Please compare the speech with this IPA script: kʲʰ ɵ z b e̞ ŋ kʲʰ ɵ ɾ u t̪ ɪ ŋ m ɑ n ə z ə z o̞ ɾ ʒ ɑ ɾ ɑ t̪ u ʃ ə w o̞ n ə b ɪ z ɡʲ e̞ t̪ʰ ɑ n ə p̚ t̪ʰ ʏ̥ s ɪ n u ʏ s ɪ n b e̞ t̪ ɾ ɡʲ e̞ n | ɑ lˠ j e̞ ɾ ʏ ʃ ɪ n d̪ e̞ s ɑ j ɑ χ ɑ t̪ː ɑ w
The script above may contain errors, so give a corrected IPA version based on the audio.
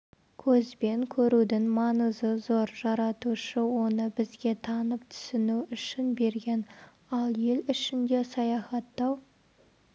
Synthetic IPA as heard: kʲʰ ɵ z b e̞ ŋ kʲʰ ɵ ɾ u d̪ ɪ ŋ m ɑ n ə z ə z o̞ ɾ ʒ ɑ ɾ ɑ t̪ u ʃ ə w o̞ n ə b ɪ z ɡʲ e̞ t̪ʰ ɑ n ə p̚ t̪ʰ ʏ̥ s ɪ n u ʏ ʃ ɪ n b e̞ ɾ ɡʲ e̞ n | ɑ lˠ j e̞ l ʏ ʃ ɪ n d̪ e̞ s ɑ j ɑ χ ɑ t̪ː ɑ w